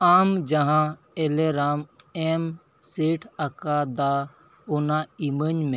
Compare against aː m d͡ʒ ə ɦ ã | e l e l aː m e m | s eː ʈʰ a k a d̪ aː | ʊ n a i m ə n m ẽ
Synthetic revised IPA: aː m d͡ʒ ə ɦ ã | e l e ɾ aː m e m | s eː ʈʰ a k a d̪ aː | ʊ n a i m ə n m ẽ